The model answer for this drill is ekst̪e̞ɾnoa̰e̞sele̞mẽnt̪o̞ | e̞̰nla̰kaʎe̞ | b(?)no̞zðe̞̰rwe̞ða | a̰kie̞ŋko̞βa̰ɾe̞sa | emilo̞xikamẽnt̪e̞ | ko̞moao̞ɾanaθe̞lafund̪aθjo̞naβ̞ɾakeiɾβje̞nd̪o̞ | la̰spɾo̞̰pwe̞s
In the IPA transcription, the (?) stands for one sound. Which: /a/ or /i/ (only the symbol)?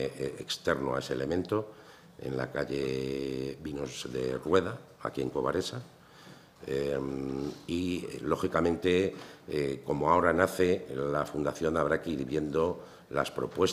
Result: i